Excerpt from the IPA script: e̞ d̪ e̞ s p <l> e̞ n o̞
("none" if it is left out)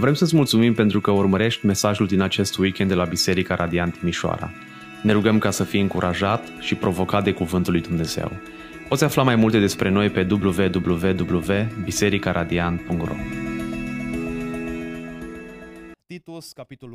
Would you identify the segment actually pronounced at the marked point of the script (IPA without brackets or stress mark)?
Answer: ɾ